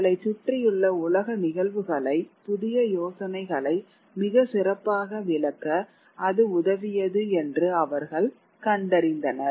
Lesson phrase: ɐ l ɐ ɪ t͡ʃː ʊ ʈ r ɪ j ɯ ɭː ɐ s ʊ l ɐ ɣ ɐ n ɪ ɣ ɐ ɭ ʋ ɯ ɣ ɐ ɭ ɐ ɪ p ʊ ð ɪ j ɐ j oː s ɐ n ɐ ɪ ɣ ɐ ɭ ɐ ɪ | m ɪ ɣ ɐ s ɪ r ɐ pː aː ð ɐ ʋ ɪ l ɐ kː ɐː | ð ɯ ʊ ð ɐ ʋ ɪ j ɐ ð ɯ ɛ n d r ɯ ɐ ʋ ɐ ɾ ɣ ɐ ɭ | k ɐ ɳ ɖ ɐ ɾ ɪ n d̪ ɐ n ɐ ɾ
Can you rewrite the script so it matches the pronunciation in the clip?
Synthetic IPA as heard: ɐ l ɐ ɪ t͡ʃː ʊ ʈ r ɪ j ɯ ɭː ɐ ʊ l ɐ ɣ ɐ n ɪ ɣ ɐ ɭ ʋ ɯ ɣ ɐ ɭ ɐ ɪ p ʊ ð ɪ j ɐ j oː s ɐ n ɐ ɪ ɣ ɐ ɭ ɐ ɪ | m ɪ ɣ ɐ s ɪ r ɐ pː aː ɣ ɐ ʋ ɪ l ɐ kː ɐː | ð ɯ ʊ ð ɐ ʋ ɪ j ɐ ð ɯ ɛ n d r ɯ ɐ ʋ ɐ ɾ ɣ ɐ ɭ | k ɐ ɳ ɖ ɐ ɾ ɪ n d̪ ɐ n ɐ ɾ

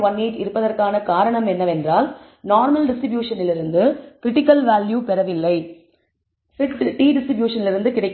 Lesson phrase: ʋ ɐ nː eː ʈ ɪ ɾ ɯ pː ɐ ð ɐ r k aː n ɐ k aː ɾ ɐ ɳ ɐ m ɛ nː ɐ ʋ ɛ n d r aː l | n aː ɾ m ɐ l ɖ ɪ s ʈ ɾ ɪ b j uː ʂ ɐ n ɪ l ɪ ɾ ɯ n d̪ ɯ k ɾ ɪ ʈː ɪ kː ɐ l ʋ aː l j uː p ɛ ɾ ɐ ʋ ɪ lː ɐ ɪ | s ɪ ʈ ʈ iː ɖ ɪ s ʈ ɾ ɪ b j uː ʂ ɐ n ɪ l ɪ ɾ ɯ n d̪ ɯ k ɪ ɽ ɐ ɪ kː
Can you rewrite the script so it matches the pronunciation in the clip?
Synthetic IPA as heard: ʋ ɐ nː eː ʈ ɪ ɾ ɯ pː ɐ ð ɐ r k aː n ɐ k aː ɾ ɐ ɳ ɐ m ɛ nː ɐ ʋ ɛ n d r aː l | n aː ɾ m ɐ l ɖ ɪ s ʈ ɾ ɪ b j uː ʂ ɐ n ɪ l ɪ ɾ ɯ n d̪ ɯ k ɾ ɪ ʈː ɪ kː ɐ l ʋ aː l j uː p ɛ ɾ ɐ ʋ ɪ lː ɐ ɪ | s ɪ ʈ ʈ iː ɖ ɪ s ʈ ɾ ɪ b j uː ʂ ɐ n ɪ l ɪ ɾ ɯ n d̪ ɯ k ɪ ɽ ɐ ɪ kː

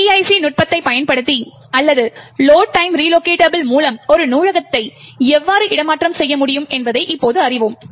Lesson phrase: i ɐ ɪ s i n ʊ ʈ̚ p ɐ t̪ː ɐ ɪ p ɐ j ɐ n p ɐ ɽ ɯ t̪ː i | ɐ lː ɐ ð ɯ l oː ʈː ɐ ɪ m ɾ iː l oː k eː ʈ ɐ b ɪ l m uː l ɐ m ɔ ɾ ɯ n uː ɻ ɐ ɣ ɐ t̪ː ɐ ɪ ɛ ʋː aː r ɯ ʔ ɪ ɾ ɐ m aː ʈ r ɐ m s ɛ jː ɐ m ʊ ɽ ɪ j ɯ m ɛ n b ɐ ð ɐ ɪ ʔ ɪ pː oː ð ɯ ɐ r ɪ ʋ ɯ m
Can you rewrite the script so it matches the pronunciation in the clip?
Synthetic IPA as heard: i ɐ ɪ s i n ʊ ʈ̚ p ɐ t̪ː ɐ ɪ p ɐ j ɐ n p ɐ ɽ ɯ t̪ː i | ɐ lː ɐ ð ɯ l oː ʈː ɐ ɪ m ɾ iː l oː k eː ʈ ɐ b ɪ l m uː l ɐ m ɔ ɾ ɯ n uː ɻ ɐ ɣ ɐ t̪ː ɐ ɪ ɛ ʋː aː ɾ ɯ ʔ ɪ ɽ ɐ m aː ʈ r ɐ m s ɛ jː ɐ m ʊ ɽ ɪ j ɯ m ɛ n b ɐ ð ɐ ɪ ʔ ɪ pː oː ð ɯ ɐ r ɪ ʋ ɯ m

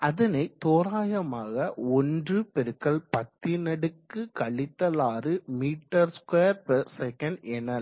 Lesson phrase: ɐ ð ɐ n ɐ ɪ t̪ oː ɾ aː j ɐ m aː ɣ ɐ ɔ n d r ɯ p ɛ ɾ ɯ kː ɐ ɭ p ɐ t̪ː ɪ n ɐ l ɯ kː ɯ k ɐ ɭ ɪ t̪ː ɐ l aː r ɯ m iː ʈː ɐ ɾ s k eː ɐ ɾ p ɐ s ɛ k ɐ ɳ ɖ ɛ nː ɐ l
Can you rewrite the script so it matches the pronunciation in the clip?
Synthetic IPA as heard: ɐ ð ɐ n ɐ ɪ t̪ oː ɾ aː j ɐ m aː ɣ ɐ ɔ n d r ɯ p ɛ ɾ ɯ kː ɐ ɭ p ɐ t̪ː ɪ n ɐ ɽ ɯ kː ɯ k ɐ ɭ ɪ t̪ː ɐ l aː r ɯ m iː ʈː ɐ ɾ s k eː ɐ ɾ p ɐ s ɛ k ɐ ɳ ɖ ɛ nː ɐ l

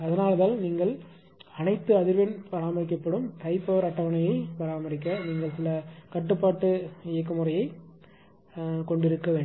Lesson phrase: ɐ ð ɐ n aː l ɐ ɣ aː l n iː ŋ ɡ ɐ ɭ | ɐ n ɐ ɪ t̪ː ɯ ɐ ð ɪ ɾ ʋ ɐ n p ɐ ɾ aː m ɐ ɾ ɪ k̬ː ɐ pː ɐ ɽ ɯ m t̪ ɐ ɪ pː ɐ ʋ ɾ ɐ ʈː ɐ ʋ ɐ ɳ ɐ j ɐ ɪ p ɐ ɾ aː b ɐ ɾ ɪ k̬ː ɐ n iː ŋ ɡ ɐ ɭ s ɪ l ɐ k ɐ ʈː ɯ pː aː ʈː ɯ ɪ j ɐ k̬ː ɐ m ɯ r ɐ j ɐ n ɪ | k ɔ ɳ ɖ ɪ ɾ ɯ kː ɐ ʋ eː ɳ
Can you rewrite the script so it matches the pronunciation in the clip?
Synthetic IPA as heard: ɐ ð ɐ n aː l ɐ ð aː l n iː ŋ ɡ ɐ ɭ | ɐ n ɐ ɪ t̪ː ɯ ɐ ð ɪ ɾ ʋ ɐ n p ɐ ɾ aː m ɐ ɾ ɪ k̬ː ɐ pː ɐ ɽ ɯ m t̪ ɐ ɪ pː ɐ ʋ ɾ ɐ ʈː ɐ ʋ ɐ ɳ ɐ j ɐ ɪ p ɐ ɾ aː m ɐ ɾ ɪ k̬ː ɐ n iː ŋ ɡ ɐ ɭ s ɪ l ɐ k ɐ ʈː ɯ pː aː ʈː ɯ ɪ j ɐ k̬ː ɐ m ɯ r ɐ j ɐ ɪ | k ɔ ɳ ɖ ɪ ɾ ɯ kː ɐ ʋ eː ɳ

